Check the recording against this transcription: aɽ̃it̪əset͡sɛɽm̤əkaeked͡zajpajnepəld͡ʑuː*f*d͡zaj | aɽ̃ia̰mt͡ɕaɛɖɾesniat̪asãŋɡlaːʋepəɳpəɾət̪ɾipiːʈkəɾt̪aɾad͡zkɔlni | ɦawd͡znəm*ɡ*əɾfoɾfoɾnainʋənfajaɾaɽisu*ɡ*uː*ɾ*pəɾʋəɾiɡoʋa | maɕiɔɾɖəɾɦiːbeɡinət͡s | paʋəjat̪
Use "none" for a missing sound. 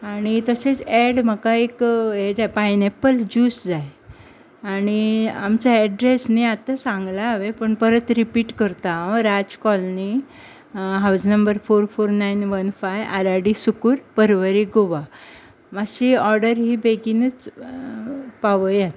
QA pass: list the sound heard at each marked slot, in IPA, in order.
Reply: s, b, k, ɾ

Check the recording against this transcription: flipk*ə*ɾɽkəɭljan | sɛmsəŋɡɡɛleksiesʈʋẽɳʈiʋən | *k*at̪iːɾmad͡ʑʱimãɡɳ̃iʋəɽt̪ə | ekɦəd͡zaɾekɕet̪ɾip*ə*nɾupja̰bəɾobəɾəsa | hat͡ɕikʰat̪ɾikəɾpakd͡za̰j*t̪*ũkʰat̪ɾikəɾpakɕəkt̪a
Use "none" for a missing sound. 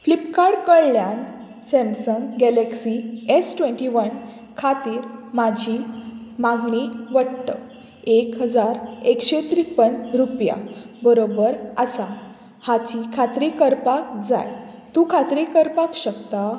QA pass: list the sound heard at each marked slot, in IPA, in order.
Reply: a, kʰ, ə, t̪

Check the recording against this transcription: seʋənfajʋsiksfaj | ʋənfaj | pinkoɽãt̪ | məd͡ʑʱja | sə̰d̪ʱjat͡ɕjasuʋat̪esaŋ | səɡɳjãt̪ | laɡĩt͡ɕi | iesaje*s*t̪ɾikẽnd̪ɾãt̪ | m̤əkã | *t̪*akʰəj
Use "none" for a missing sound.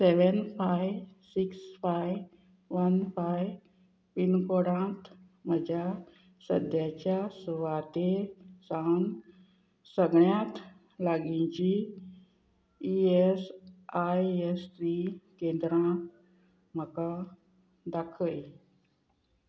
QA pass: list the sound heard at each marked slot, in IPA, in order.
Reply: s, d̪

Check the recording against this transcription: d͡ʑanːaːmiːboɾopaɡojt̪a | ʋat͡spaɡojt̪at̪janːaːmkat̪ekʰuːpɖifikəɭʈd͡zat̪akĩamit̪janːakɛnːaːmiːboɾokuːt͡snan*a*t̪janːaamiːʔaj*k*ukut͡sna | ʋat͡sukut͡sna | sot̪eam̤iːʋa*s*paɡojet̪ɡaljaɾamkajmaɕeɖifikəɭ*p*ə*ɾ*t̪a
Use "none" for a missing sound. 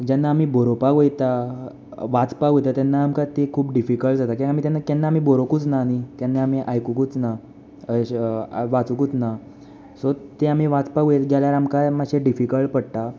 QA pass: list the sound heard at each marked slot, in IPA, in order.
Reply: i, k, t͡s, p, ɽ

